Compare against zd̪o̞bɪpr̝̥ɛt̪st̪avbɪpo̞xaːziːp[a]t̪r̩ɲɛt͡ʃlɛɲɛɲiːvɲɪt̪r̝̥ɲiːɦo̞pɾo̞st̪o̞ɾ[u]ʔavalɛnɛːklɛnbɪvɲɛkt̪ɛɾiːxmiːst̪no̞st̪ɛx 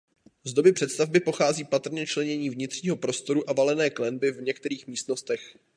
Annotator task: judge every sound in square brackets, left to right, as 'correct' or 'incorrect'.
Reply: correct, correct

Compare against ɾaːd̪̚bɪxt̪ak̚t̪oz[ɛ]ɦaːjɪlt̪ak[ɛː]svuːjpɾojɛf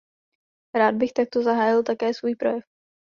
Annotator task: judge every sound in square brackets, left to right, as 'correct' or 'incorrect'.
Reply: incorrect, correct

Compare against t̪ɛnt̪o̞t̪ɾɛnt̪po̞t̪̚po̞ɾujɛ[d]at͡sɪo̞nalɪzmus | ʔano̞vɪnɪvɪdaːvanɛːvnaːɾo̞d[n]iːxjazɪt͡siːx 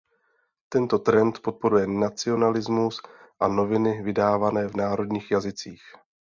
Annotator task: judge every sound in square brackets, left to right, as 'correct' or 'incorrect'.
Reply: incorrect, incorrect

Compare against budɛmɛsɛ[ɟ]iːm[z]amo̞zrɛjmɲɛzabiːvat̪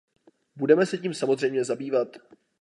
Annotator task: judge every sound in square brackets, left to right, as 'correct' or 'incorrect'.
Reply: incorrect, incorrect

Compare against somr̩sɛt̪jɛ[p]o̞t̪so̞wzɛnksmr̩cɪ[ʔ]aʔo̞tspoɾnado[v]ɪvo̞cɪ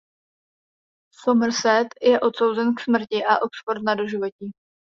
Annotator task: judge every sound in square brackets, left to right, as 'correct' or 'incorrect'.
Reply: incorrect, correct, incorrect

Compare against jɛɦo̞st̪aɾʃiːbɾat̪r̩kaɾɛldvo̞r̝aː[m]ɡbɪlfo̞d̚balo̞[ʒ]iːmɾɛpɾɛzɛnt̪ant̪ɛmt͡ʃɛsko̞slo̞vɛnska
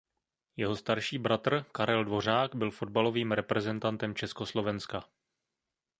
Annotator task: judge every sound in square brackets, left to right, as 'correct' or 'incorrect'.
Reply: incorrect, incorrect

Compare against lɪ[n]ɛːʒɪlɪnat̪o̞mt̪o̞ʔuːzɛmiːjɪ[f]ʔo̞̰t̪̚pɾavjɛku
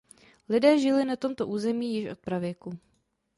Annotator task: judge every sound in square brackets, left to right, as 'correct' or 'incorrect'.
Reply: incorrect, incorrect

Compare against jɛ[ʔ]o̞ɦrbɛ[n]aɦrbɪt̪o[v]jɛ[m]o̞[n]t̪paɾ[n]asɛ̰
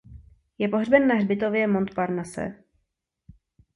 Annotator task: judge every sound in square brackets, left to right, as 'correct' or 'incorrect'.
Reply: incorrect, incorrect, correct, correct, correct, correct

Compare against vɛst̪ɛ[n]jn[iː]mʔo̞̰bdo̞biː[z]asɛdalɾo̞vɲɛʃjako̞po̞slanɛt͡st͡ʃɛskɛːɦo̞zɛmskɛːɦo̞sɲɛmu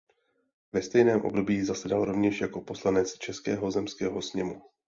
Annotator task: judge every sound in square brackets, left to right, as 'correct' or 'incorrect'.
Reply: incorrect, incorrect, correct

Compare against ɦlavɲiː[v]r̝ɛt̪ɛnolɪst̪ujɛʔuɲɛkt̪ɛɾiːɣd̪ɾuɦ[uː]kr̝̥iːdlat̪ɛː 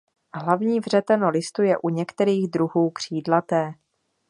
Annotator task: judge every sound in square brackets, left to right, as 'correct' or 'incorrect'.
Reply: correct, correct

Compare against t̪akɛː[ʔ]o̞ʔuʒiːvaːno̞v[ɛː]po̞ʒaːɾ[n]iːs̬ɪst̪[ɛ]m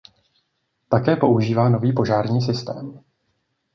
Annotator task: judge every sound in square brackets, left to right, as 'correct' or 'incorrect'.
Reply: incorrect, incorrect, incorrect, incorrect

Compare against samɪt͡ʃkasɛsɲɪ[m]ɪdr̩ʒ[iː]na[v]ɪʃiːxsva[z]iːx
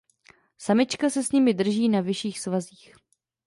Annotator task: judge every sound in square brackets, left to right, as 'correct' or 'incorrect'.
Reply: correct, correct, correct, correct

